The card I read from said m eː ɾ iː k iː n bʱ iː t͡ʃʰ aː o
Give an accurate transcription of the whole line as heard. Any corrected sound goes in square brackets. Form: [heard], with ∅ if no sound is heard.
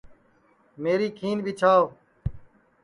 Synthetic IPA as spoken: m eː ɾ iː [kʰ] iː n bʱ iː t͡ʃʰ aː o